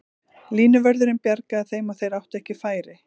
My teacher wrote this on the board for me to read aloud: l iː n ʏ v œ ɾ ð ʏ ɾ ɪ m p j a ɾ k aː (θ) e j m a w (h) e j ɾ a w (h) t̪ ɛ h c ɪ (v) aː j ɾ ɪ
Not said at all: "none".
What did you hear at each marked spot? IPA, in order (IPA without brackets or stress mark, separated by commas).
θ, θ, h, f